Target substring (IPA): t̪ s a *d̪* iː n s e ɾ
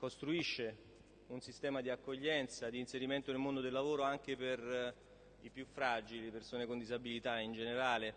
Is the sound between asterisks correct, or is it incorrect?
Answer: correct